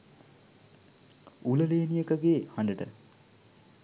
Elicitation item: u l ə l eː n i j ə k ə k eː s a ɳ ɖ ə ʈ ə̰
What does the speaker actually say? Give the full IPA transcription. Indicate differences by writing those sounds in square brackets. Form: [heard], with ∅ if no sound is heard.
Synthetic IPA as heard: u l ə l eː n i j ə k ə [ɡ] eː [h] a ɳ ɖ ə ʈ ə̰